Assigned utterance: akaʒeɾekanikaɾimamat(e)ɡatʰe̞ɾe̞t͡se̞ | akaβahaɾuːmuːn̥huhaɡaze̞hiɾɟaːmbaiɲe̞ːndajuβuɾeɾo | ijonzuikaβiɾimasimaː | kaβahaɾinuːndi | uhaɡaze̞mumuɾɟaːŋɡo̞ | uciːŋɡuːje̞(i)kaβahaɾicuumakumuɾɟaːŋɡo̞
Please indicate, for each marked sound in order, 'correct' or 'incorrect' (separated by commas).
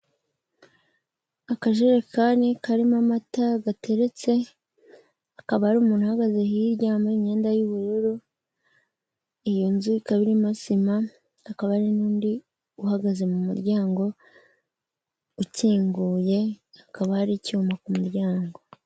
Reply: incorrect, incorrect